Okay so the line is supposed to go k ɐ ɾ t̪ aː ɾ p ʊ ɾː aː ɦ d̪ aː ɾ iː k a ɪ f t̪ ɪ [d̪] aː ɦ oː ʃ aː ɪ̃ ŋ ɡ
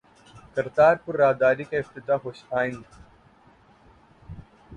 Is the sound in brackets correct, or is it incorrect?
incorrect